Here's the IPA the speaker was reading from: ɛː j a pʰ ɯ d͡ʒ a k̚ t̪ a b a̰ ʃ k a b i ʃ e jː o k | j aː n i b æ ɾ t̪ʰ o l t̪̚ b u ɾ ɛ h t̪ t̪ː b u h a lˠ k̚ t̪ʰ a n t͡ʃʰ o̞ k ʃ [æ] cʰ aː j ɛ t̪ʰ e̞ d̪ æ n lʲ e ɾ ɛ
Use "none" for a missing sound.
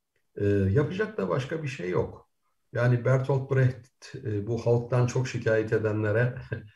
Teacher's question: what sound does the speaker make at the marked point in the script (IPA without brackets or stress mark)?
i